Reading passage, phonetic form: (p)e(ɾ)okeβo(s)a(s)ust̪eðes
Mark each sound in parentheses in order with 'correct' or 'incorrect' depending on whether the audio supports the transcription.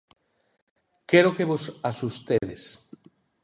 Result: incorrect: k, correct, correct, correct

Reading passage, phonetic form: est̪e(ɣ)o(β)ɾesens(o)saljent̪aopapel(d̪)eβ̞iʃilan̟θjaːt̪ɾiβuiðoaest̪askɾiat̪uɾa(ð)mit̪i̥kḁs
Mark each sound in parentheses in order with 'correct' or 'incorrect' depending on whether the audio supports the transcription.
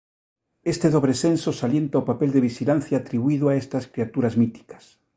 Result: incorrect: ð, correct, correct, correct, incorrect: z

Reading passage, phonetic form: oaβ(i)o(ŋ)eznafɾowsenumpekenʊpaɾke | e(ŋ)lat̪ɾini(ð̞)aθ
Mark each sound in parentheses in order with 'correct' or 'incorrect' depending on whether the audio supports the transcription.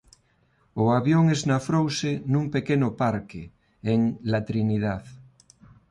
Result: incorrect: j, correct, correct, correct

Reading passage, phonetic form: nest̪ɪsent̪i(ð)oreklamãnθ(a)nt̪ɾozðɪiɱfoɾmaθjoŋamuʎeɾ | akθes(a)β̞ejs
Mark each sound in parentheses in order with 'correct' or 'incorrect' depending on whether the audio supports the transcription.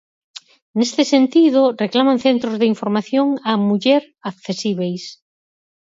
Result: correct, incorrect: e, incorrect: i

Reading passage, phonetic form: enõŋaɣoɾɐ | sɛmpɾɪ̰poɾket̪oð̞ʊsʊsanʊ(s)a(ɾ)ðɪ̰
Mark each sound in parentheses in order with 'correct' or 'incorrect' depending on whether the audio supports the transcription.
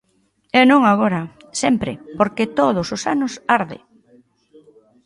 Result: correct, correct

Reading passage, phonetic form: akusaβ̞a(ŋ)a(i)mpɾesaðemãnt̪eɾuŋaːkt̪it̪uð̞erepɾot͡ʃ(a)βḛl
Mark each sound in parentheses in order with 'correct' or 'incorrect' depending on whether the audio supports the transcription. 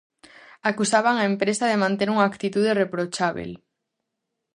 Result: correct, incorrect: e, correct

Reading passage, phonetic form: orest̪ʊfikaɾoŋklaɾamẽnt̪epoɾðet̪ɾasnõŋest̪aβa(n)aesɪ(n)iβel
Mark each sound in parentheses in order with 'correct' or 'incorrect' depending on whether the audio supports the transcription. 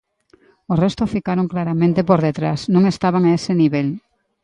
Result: incorrect: ŋ, correct

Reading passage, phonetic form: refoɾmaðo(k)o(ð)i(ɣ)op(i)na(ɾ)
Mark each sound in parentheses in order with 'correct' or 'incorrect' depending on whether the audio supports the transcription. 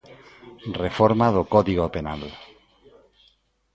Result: correct, correct, correct, incorrect: e, incorrect: l

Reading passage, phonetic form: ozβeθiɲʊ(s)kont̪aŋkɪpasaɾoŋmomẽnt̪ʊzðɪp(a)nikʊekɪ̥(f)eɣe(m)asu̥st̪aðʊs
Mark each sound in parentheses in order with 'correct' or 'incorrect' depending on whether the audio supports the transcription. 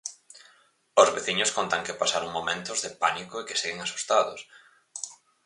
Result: correct, correct, incorrect: s, incorrect: ŋ

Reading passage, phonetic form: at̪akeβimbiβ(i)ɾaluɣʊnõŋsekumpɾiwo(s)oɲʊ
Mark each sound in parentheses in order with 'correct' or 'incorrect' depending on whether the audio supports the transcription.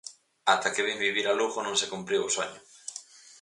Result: correct, correct

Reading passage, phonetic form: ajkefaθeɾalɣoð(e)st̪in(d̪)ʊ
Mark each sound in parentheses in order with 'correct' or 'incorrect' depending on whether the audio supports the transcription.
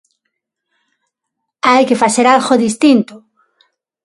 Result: incorrect: i, incorrect: t̪

